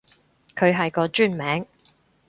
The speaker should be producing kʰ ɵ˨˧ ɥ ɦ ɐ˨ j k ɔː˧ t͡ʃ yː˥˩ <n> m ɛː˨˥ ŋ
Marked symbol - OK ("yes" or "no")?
yes